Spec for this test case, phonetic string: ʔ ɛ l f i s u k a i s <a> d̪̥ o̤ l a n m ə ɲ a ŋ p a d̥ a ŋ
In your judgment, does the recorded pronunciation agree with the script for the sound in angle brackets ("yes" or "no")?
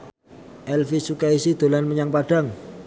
no